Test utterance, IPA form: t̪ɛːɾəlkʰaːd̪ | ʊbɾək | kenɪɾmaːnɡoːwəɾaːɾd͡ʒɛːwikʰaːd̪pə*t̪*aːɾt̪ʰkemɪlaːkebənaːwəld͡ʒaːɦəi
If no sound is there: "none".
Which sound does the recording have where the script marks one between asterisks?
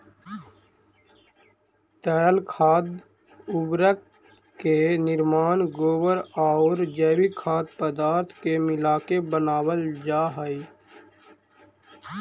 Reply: d̪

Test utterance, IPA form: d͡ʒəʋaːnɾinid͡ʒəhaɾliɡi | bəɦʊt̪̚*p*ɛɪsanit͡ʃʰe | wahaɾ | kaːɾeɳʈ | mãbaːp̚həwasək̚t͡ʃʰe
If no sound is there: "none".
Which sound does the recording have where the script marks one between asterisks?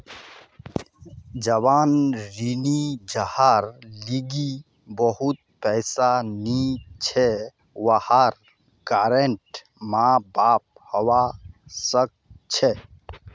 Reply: p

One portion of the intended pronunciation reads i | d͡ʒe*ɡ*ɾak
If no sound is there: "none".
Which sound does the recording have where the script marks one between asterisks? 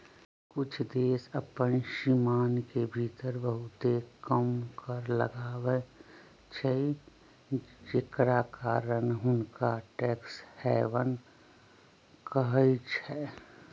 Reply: k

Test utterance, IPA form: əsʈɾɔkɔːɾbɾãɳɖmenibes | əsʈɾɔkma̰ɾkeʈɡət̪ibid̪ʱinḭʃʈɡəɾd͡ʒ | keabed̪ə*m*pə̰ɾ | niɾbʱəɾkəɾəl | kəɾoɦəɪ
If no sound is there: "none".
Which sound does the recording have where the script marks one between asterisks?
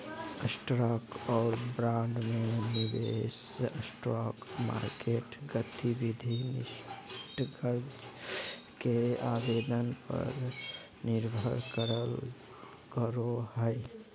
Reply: n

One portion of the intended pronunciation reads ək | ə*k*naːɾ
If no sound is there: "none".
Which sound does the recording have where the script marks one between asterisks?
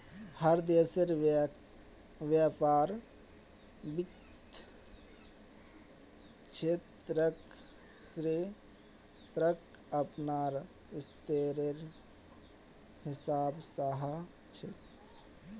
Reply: p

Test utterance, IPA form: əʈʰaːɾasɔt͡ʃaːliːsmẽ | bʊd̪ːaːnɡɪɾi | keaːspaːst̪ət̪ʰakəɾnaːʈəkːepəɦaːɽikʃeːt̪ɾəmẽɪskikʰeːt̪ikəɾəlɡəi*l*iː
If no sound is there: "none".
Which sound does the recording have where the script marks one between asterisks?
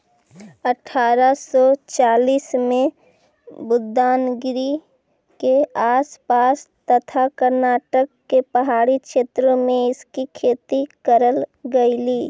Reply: l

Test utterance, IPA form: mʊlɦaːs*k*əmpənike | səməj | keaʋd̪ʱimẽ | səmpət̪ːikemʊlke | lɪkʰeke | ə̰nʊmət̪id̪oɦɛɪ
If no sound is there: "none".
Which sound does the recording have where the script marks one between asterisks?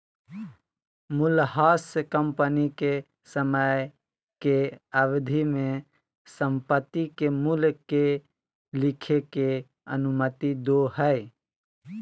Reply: k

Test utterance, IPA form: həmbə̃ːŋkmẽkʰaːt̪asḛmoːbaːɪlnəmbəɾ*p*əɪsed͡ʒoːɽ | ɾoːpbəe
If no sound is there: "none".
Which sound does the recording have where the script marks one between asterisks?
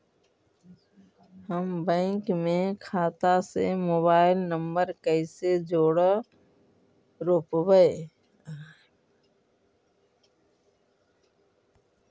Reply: k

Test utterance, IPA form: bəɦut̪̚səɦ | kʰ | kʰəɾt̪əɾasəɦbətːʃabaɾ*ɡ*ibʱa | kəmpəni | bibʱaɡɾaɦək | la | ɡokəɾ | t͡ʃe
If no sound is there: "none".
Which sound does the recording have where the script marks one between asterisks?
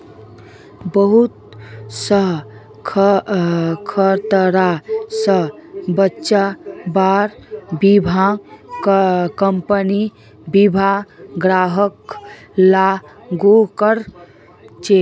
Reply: b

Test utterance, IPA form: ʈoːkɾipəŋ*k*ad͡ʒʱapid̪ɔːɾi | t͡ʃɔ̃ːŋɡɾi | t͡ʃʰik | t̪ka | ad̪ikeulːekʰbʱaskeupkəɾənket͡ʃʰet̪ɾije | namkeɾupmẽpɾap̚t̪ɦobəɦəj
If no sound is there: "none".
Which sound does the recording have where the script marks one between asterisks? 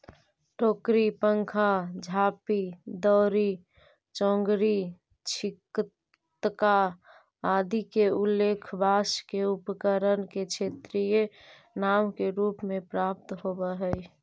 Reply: kʰ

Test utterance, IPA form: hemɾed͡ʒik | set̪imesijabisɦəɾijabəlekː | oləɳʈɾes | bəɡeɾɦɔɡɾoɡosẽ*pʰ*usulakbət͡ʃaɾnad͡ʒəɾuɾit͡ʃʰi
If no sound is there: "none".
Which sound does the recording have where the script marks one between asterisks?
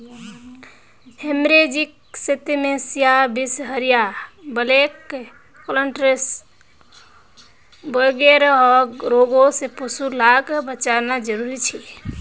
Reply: p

